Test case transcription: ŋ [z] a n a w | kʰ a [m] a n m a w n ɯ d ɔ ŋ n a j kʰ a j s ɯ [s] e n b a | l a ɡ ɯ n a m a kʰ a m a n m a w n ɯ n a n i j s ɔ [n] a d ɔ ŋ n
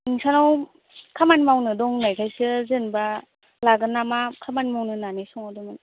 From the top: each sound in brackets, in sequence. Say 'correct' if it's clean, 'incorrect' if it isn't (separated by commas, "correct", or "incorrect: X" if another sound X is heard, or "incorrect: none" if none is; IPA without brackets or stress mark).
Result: incorrect: s, correct, incorrect: z, incorrect: ŋ